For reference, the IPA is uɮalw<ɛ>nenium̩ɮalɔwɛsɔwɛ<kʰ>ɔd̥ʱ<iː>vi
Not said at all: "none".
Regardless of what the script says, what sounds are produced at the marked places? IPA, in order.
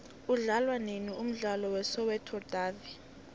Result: a, tʰ, aː

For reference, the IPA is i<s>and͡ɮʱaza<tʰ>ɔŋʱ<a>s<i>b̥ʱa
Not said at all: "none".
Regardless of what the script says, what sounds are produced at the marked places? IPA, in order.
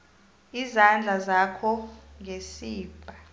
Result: z, kʰ, e, iː

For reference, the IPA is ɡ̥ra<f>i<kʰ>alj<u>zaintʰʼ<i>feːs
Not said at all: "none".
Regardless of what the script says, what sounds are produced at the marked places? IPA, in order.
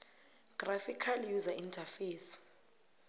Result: f, kʰ, u, a

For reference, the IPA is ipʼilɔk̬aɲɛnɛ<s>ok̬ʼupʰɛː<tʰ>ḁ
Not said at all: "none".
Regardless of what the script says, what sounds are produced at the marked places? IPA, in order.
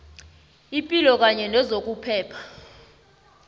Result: z, pʰ

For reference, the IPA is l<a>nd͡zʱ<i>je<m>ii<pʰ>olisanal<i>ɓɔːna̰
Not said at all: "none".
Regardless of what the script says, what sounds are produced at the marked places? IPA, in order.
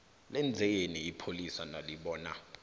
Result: ɛ, ɛ, n, pʰ, i

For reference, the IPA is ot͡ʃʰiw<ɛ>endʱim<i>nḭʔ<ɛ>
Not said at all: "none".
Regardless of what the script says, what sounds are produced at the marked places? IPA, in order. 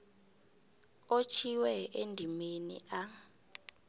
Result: ɛ, e, a

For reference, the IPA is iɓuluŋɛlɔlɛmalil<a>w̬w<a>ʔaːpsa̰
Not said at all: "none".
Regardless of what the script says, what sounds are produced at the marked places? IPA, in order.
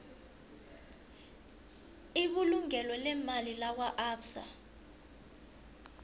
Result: a, a

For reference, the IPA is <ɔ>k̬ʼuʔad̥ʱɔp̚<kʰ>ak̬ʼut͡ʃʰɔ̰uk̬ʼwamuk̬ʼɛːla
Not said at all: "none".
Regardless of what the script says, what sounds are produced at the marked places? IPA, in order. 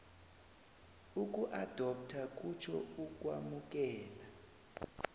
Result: u, tʰ

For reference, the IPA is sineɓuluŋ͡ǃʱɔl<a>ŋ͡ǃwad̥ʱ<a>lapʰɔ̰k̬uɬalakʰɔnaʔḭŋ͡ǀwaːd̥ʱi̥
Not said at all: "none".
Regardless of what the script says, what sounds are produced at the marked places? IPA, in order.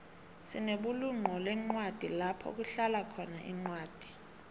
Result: ɛ, i

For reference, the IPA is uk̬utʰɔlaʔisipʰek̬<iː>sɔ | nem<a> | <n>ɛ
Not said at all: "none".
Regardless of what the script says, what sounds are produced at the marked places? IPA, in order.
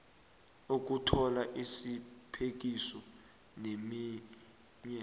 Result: i, i, ɲ

